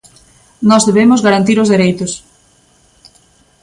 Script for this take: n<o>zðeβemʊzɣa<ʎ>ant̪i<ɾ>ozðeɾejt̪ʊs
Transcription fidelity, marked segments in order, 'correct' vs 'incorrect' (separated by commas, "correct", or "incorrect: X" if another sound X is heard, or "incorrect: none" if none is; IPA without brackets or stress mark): incorrect: ɔ, incorrect: ɾ, correct